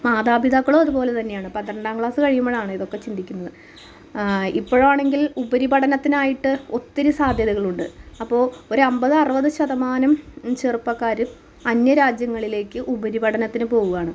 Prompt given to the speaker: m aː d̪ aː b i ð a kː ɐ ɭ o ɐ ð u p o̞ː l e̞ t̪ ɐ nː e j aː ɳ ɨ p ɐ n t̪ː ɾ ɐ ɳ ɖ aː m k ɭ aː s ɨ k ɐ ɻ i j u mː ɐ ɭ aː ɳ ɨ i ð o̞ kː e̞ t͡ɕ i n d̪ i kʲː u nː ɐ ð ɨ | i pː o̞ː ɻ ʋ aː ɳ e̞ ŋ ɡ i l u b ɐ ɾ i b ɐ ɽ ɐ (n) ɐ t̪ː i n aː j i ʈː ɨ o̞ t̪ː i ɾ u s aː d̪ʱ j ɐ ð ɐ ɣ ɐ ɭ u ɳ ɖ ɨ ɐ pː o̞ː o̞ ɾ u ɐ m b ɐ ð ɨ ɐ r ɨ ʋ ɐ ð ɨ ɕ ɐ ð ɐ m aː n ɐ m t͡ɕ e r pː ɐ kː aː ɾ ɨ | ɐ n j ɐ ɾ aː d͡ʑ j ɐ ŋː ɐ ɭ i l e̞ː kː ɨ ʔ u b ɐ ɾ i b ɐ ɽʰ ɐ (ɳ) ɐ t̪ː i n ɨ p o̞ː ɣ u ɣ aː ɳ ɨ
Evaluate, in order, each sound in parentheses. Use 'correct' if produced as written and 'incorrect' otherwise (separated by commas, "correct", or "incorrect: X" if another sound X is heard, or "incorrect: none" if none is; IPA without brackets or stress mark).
correct, incorrect: n